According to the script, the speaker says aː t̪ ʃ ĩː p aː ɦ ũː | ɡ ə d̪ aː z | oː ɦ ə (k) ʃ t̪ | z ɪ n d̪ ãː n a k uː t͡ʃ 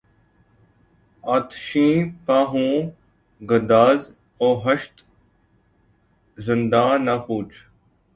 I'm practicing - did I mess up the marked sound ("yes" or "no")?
yes